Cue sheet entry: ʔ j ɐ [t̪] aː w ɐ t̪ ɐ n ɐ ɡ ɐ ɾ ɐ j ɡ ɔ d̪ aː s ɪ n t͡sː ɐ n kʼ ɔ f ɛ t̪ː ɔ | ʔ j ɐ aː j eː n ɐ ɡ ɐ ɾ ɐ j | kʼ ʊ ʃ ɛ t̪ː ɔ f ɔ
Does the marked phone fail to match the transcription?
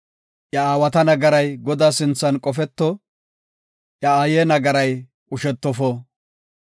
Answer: yes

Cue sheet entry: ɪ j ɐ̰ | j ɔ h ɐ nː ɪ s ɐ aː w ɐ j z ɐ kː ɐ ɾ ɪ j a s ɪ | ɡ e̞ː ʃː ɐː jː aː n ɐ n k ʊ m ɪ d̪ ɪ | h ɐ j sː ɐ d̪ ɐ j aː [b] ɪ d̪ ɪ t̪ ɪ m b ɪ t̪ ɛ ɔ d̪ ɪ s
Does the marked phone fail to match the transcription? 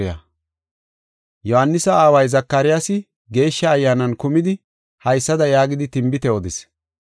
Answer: yes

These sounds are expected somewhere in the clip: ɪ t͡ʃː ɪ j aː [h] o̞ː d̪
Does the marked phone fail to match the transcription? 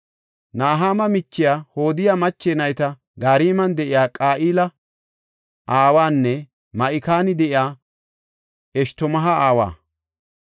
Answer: no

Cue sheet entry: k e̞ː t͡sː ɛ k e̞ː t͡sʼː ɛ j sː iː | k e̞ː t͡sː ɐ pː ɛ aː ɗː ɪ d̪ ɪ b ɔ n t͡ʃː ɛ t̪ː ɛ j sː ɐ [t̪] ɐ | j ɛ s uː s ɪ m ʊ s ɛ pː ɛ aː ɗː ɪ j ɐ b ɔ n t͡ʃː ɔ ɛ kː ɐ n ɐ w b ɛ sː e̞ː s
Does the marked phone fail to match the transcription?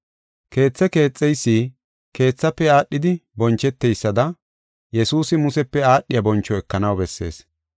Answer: yes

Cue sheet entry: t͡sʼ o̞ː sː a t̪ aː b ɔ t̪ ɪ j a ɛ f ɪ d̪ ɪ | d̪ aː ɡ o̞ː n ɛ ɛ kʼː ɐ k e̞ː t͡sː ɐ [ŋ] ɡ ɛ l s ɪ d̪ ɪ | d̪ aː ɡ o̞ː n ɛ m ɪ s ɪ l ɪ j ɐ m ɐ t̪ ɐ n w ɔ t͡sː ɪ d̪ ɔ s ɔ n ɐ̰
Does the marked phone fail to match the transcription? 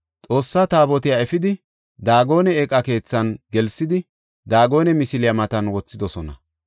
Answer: yes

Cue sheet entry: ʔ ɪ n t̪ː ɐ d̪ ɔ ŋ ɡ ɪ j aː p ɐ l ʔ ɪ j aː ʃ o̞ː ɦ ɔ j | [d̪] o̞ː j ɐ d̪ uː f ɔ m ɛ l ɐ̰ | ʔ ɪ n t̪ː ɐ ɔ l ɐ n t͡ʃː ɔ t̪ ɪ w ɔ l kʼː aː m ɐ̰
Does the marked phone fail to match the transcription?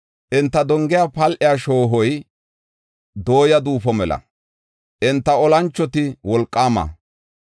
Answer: no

